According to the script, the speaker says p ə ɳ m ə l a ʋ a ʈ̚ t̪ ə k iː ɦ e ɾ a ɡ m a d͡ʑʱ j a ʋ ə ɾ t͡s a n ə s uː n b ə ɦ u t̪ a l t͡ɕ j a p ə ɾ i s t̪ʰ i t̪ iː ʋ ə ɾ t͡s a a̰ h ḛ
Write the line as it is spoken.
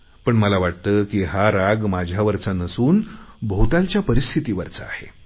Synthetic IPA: p ə ɳ m ə l a ʋ a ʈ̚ t̪ ə k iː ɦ a ɾ a ɡ m a d͡ʑʱ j a ʋ ə ɾ t͡s a n ə s uː n b ə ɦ u t̪ a l t͡ɕ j a p ə ɾ i s t̪ʰ i t̪ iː ʋ ə ɾ t͡s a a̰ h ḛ